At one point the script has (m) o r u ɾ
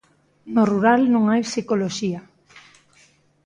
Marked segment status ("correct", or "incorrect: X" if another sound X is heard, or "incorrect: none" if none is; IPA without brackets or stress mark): incorrect: n